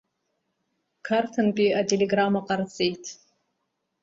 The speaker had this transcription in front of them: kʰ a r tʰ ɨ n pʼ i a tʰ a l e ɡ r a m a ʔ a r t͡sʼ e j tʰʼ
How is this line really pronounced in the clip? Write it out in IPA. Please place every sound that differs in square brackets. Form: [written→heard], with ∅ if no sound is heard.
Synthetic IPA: kʰ a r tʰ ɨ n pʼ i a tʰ [a→e] l e ɡ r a m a [ʔ→q] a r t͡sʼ e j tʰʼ